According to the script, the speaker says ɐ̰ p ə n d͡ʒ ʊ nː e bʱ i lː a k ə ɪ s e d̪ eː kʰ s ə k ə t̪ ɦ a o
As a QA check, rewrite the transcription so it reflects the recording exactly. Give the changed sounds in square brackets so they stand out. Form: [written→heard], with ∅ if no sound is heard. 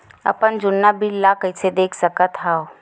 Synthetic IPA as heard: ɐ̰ p ə n d͡ʒ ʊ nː [e→a] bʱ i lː a k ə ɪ s e d̪ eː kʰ s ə k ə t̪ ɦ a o